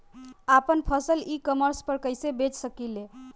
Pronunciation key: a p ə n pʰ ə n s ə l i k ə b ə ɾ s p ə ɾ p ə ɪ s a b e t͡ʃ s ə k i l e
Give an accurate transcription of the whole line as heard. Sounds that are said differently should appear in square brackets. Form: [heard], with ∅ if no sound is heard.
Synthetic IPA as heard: a p ə n pʰ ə [∅] s ə l i k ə [m] ə ɾ s p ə ɾ [k] ə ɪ s [e] b e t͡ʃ s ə k i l e